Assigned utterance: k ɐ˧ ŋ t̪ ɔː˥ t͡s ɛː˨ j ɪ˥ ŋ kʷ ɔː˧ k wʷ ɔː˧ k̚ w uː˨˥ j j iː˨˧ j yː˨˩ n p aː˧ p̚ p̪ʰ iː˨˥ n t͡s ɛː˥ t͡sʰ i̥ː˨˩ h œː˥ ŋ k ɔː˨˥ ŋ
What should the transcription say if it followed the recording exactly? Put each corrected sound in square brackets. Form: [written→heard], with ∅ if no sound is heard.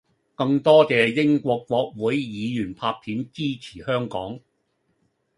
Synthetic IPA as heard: k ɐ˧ ŋ t̪ ɔː˥ t͡s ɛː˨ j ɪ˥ ŋ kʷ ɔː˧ k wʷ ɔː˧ k̚ w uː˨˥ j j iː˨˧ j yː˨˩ n [p→pʰ] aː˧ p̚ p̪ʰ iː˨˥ n t͡s [ɛː˥→iː˥] t͡sʰ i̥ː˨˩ h œː˥ ŋ k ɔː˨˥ ŋ